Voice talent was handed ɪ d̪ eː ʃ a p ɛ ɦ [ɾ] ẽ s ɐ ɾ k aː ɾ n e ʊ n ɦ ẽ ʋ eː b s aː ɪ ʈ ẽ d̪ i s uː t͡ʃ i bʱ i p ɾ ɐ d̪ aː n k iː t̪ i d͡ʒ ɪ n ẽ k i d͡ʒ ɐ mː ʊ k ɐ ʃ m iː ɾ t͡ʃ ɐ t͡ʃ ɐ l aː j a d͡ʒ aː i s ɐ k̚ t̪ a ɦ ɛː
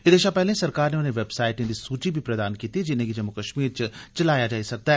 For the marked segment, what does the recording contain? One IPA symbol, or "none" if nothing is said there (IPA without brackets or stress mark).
l